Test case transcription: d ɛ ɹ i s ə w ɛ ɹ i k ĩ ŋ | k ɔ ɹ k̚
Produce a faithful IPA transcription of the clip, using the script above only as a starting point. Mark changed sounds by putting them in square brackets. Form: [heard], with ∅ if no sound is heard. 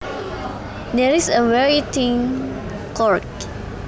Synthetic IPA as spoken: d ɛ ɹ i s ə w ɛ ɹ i [t] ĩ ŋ | k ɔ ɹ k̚